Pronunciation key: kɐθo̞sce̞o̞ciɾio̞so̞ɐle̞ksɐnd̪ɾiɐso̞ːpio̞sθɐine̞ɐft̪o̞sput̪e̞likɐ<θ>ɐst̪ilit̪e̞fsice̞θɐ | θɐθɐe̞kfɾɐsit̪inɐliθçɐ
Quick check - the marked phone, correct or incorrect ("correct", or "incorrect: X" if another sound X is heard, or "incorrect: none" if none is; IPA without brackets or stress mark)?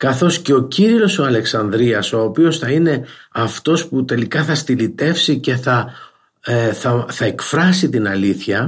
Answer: correct